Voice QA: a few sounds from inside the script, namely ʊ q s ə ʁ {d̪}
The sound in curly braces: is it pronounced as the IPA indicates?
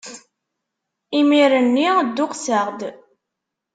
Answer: yes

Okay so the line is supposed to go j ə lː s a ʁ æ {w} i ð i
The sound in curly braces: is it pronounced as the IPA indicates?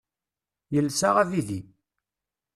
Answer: no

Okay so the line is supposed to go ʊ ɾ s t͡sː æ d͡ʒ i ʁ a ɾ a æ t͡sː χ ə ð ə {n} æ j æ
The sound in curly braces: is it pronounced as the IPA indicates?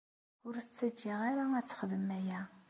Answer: no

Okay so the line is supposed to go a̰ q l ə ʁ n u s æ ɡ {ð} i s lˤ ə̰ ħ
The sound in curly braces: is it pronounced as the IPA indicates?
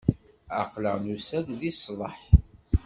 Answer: yes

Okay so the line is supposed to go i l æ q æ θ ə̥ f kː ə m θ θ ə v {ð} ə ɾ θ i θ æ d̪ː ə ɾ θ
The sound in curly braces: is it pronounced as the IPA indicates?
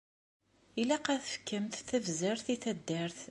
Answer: no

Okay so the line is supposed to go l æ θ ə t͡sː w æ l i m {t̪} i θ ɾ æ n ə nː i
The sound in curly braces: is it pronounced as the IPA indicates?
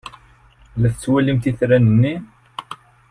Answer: yes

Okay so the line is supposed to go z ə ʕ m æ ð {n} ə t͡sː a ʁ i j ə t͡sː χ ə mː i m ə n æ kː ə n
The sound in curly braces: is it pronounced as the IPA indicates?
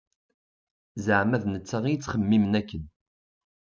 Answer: yes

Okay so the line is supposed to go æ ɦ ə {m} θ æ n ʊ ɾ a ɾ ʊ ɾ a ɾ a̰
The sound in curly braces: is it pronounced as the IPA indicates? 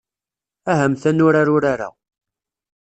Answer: yes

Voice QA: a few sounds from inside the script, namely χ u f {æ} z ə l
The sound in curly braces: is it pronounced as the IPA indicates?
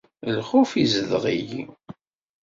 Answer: no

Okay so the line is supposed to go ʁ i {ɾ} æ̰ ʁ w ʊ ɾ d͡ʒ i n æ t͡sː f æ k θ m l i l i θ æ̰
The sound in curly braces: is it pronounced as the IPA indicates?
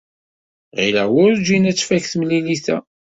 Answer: no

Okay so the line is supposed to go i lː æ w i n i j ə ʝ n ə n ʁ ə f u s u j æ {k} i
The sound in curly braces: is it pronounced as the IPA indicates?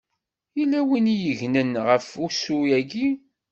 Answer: no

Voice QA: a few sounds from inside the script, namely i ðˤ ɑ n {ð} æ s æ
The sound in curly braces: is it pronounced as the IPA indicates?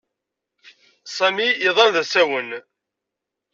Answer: yes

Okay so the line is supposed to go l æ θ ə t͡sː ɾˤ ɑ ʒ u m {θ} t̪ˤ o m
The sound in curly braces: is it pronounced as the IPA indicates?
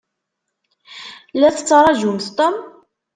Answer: yes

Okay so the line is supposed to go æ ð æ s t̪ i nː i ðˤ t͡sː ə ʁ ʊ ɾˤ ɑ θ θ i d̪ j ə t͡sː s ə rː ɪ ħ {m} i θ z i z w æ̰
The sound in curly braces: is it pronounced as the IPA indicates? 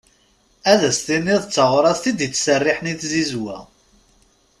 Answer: no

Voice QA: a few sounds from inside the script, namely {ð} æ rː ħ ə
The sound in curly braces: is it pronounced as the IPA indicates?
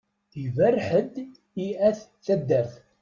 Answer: no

